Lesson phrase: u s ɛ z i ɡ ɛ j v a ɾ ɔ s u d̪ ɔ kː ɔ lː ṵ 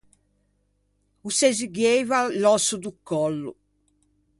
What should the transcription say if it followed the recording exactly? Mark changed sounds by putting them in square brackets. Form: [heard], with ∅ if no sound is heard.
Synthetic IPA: u s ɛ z i ɡ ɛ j v a [l] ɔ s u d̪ [u] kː ɔ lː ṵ